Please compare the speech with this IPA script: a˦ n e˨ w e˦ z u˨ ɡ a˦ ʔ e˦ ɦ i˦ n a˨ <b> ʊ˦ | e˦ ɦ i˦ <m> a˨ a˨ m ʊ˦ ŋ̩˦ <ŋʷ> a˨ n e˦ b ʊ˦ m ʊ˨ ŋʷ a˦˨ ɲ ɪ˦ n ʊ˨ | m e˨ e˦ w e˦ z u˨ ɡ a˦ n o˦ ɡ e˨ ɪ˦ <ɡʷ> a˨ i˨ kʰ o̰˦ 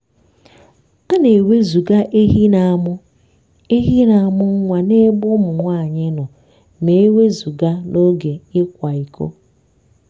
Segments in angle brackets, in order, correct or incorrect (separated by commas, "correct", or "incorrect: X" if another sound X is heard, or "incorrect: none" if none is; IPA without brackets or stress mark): incorrect: m, incorrect: n, correct, incorrect: kʷ